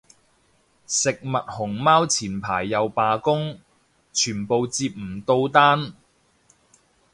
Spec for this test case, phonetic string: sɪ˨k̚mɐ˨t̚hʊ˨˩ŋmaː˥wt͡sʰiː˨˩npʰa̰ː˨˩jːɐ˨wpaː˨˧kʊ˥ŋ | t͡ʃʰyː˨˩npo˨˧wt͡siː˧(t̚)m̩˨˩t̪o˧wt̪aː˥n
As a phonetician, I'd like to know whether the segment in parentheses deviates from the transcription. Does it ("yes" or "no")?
yes